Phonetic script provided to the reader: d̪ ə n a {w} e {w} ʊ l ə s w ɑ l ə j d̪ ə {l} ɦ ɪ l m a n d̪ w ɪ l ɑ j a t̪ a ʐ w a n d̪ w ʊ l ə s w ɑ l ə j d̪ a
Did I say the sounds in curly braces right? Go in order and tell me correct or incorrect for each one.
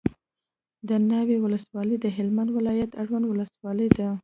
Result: correct, correct, incorrect

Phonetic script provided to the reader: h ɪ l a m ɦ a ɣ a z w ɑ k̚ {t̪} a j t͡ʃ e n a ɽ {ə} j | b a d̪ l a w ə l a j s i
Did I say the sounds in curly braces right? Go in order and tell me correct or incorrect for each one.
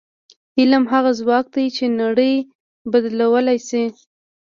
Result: incorrect, correct

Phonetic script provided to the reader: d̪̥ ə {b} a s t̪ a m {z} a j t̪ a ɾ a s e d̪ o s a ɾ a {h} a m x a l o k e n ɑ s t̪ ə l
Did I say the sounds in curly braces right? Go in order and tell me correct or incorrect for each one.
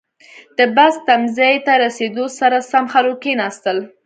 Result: correct, correct, incorrect

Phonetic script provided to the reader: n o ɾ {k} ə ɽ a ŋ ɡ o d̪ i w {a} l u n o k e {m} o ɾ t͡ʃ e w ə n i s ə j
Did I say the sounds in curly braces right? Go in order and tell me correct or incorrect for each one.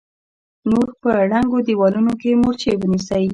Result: incorrect, incorrect, correct

